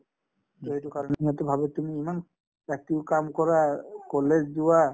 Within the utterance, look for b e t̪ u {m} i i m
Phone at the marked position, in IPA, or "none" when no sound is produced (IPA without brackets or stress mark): m